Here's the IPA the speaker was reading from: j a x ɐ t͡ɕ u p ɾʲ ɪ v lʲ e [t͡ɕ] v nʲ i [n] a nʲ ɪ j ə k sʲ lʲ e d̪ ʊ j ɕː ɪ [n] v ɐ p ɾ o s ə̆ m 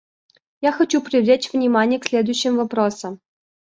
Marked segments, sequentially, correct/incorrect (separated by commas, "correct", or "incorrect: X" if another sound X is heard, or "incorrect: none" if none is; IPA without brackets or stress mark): correct, incorrect: m, incorrect: m